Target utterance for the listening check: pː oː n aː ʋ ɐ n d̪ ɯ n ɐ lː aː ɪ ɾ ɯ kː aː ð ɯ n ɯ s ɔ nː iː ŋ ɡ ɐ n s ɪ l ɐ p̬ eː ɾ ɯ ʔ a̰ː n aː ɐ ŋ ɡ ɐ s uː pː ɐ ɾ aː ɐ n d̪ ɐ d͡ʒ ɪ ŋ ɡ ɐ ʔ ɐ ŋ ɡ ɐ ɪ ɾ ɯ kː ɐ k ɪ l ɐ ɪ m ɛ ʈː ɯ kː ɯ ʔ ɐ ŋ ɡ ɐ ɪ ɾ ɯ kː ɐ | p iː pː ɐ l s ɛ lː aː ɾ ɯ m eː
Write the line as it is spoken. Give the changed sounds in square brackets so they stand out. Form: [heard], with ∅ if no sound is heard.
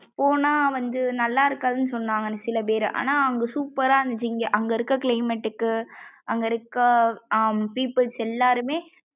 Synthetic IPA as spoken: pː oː n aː ʋ ɐ n d̪ ɯ n ɐ lː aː ɪ ɾ ɯ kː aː ð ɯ n ɯ s ɔ nː [aː] ŋ ɡ ɐ n s ɪ l ɐ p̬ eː ɾ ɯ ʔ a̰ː n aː ɐ ŋ ɡ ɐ s uː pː ɐ ɾ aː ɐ n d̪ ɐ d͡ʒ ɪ ŋ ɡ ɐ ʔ ɐ ŋ ɡ ɐ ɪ ɾ ɯ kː ɐ k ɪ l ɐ ɪ m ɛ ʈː ɯ kː ɯ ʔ ɐ ŋ ɡ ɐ ɪ ɾ ɯ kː ɐ | p iː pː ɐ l s ɛ lː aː ɾ ɯ m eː